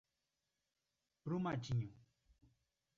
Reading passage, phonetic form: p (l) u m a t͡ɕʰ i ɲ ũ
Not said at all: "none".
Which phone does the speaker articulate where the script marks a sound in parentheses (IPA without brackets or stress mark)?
ɾ